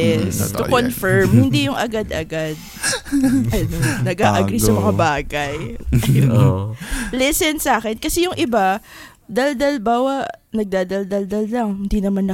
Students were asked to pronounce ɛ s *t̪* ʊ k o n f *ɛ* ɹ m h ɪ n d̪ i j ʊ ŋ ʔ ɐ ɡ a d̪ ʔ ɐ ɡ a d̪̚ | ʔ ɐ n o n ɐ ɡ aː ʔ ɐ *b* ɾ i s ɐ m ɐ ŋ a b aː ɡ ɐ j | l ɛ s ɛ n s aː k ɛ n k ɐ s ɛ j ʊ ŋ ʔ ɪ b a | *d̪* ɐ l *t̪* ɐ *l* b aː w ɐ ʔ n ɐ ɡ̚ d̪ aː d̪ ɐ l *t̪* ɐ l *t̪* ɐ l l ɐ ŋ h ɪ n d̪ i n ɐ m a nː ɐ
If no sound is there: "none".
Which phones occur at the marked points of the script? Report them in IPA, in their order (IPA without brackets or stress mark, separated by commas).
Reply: t̪, ɛ, ɡ, d̪, d̪, l, d̪, d̪